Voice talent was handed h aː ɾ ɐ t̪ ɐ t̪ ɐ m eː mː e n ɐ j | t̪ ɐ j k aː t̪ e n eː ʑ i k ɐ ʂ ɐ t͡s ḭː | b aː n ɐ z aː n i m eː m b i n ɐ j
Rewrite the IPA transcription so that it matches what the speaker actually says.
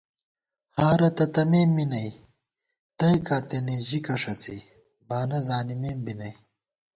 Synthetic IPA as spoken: h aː ɾ ɐ t̪ ɐ t̪ ɐ m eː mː i n ɐ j | t̪ ɐ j k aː t̪ e n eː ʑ i k ɐ ʂ ɐ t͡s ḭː | b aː n ɐ z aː n i m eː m b i n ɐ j